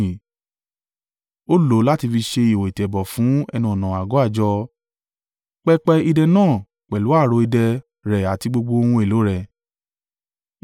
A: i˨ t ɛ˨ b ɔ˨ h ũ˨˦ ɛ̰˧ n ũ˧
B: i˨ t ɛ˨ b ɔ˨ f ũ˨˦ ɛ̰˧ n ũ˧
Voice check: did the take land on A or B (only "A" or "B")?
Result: B